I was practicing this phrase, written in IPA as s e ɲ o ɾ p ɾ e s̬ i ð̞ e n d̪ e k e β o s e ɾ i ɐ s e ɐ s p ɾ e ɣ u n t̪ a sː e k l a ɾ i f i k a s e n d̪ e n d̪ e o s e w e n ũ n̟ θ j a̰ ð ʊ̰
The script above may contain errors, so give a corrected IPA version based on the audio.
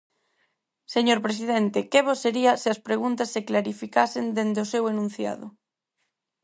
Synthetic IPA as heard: s e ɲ o ɾ p ɾ e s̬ i ð̞ e n t̪ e k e β o s e ɾ i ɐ s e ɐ s p ɾ e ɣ u n t̪ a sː e k l a ɾ i f i k a s e n d̪ e n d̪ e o s e w e n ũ n̟ θ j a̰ ð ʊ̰